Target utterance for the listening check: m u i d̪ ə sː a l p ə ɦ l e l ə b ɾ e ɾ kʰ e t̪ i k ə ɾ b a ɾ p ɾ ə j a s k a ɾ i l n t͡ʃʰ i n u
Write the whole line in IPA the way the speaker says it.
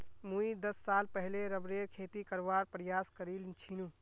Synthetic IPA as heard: m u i d̪ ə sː a l p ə ɦ l e ɾ ə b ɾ e ɾ kʰ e t̪ i k ə ɾ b a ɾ p ɾ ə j a s k ə ɾ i l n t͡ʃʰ i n u